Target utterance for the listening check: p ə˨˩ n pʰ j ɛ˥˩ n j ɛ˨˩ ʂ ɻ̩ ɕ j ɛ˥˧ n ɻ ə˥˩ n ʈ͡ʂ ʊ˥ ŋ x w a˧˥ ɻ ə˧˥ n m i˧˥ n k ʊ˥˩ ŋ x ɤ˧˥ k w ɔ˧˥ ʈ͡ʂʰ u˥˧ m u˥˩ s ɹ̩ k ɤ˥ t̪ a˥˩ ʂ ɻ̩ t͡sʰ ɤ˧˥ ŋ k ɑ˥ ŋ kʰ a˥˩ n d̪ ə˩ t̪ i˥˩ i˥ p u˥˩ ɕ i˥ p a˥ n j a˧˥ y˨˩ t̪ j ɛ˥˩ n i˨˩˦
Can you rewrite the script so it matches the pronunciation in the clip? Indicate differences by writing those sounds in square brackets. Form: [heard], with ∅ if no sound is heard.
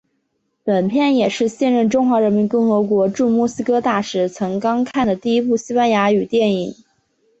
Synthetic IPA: p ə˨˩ n pʰ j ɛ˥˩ n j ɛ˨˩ ʂ ɻ̩ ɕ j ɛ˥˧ n ɻ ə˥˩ n ʈ͡ʂ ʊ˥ ŋ x w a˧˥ ɻ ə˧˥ n m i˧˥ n k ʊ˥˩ ŋ x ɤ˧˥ k w ɔ˧˥ [ʈ͡ʂ] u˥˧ m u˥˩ s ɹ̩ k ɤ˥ t̪ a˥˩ ʂ ɻ̩ t͡sʰ ɤ˧˥ ŋ k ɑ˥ ŋ kʰ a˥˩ n d̪ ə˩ t̪ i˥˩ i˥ p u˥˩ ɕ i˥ p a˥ n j a˧˥ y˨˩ t̪ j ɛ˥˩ n i˨˩˦